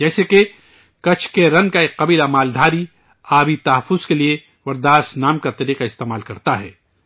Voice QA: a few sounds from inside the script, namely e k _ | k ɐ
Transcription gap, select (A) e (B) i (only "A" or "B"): A